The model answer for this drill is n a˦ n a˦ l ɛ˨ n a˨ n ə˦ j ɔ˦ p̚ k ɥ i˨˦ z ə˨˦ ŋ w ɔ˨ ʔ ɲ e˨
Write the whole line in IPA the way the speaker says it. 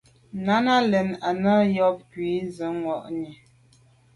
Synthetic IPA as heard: n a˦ n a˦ l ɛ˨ n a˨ n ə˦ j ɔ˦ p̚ k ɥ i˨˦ z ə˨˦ ŋ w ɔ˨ ʔ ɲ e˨